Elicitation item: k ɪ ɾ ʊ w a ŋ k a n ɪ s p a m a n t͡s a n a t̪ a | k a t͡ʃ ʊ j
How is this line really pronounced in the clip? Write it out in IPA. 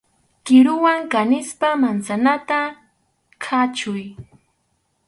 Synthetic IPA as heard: k ɪ ɾ ʊ w a ŋ k a n ɪ s p a m a n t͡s a n a t̪ a | kʰ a t͡ʃ ʊ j

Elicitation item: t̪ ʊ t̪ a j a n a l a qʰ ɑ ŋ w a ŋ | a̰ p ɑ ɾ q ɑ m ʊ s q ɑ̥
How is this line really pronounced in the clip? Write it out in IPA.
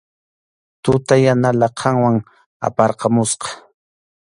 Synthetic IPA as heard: t̪ ʊ t̪ a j a n a l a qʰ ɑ ŋ w a ŋ | a̰ p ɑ ɾ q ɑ m ʊ s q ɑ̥

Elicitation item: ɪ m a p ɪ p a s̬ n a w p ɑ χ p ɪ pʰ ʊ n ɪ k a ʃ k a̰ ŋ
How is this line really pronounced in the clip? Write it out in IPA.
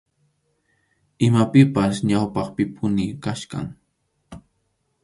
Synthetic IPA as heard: ɪ m a p ɪ p a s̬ ɲ a w p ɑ χ p ɪ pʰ ʊ n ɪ k a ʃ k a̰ ŋ

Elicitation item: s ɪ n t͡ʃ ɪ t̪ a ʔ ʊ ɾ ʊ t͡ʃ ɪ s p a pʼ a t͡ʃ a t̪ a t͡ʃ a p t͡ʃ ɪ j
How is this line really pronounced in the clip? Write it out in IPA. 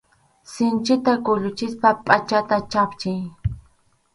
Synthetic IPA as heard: s ɪ n t͡ʃ ɪ t̪ a k ʊ ʎ ʊ t͡ʃ ɪ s p a pʼ a t͡ʃ a t̪ a t͡ʃ a p t͡ʃ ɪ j

